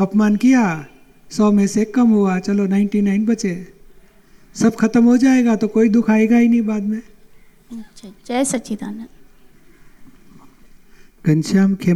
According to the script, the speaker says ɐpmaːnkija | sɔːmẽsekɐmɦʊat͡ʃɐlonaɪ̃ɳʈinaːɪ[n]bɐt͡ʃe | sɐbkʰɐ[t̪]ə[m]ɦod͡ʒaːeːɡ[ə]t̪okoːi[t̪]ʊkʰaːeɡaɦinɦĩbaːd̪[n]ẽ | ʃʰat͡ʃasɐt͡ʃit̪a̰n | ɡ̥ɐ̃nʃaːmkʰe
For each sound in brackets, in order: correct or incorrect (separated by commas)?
correct, correct, correct, incorrect, incorrect, incorrect